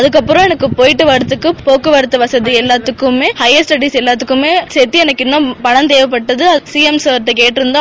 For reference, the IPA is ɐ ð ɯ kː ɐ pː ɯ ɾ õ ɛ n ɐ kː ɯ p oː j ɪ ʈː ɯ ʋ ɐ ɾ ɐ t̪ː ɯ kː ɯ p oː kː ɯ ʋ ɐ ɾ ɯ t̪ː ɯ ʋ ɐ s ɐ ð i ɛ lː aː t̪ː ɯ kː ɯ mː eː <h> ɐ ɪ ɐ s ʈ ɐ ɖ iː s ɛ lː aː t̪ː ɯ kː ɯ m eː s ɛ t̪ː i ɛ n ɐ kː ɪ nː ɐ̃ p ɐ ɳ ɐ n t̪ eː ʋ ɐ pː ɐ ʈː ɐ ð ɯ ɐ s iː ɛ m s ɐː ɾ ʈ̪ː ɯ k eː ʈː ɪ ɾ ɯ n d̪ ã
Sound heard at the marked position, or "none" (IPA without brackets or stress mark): h